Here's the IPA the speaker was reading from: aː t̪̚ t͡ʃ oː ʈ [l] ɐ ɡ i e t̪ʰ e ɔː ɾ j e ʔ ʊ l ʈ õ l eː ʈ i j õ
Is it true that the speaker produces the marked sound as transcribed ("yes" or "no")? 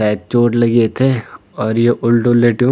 yes